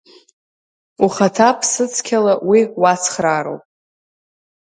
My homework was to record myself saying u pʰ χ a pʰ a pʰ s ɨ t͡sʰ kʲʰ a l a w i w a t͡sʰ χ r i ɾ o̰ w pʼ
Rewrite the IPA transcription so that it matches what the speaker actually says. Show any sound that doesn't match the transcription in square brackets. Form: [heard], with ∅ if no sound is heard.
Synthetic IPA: u [∅] χ a [tʰ] a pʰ s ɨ t͡sʰ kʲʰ a l a w i w a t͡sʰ χ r [a] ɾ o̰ w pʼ